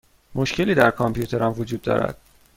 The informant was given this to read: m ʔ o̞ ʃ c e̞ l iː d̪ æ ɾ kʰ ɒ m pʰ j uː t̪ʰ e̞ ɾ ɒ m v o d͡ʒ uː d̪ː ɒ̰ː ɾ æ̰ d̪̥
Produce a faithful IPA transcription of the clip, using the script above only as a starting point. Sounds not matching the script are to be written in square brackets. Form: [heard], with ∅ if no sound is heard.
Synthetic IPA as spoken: m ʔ o̞ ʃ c e̞ l iː d̪ æ ɾ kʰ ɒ m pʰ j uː t̪ʰ e̞ ɾ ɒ m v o d͡ʒ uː d̪ː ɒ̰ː ɾ æ̰ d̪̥